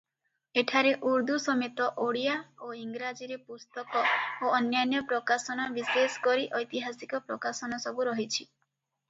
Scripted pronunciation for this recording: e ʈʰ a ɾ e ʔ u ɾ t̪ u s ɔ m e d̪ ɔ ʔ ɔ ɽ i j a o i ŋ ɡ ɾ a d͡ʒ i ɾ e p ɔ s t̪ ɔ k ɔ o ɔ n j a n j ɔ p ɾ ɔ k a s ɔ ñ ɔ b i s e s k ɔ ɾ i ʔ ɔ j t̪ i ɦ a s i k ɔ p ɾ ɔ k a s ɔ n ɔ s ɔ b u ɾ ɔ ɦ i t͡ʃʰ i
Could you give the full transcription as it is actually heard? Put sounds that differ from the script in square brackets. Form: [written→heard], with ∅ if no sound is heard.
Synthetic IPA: e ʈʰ a ɾ e ʔ u ɾ [t̪→d̪] u s ɔ m e [d̪→t̪] ɔ ʔ [ɔ→o] ɽ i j a o i ŋ ɡ ɾ a d͡ʒ i ɾ e p [ɔ→u] s t̪ ɔ k ɔ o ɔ n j a n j ɔ p ɾ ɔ k a s ɔ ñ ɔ b i s e s k ɔ ɾ i ʔ ɔ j t̪ i ɦ a s i k ɔ p ɾ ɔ k a s ɔ n ɔ s ɔ b u ɾ ɔ ɦ i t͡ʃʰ i